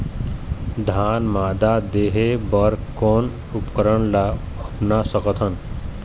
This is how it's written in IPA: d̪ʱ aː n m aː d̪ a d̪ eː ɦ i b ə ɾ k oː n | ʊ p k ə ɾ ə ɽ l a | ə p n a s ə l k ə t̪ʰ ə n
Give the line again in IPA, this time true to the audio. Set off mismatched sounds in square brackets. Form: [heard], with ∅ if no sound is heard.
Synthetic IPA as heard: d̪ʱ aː n m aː d̪ a d̪ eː ɦ [e] b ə ɾ k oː n | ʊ p k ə ɾ ə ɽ l a | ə p n a s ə [∅] k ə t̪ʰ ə n